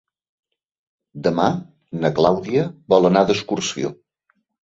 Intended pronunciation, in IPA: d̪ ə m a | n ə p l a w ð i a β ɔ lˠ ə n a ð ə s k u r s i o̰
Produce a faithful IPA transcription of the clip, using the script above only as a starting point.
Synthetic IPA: d̪ ə m a | n ə k l a w ð i ə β ɔ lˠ ə n a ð ə s k u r s i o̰